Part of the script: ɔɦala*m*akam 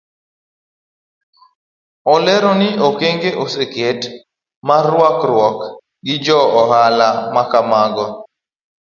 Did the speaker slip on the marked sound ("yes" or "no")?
no